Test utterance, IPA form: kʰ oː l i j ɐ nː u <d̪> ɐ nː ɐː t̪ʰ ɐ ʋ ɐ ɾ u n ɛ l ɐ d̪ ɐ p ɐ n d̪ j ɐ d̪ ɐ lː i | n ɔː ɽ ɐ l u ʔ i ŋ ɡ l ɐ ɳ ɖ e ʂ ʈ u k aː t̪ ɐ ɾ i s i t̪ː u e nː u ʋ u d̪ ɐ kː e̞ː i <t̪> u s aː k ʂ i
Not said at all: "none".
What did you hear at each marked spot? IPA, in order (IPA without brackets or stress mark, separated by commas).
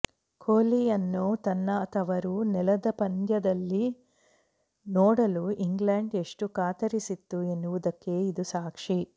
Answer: t̪, d̪